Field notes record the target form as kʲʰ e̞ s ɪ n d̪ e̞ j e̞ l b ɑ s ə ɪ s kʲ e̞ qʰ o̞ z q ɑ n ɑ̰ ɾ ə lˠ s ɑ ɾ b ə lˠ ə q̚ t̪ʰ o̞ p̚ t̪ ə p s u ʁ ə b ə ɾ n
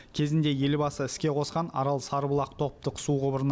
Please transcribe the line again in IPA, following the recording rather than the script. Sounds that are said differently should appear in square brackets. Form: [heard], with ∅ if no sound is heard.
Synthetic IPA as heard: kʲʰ e̞ [z] ɪ n d̪ e̞ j e̞ l b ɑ s ə ɪ s kʲ e̞ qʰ o̞ [s] q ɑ n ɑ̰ ɾ [ɑ] lˠ s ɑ ɾ b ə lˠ [ɑ] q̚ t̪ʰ o̞ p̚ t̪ ə [q] s u ʁ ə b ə ɾ n